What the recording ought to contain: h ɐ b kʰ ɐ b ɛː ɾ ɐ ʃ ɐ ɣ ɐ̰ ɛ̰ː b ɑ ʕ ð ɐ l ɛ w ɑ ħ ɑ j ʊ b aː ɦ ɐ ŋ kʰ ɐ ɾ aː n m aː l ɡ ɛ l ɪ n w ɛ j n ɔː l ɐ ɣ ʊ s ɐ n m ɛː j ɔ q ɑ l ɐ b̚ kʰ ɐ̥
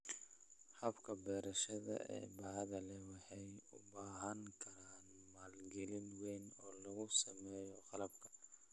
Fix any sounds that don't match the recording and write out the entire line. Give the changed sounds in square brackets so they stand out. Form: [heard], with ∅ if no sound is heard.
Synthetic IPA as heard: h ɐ b kʰ ɐ b ɛː ɾ ɐ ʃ ɐ [ð] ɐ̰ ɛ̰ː b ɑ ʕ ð ɐ l ɛ w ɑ ħ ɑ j ʊ b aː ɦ ɐ ŋ kʰ ɐ ɾ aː n m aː l ɡ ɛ l ɪ n w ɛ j n ɔː l ɐ ɣ ʊ s ɐ [∅] m ɛː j ɔ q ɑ l ɐ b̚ kʰ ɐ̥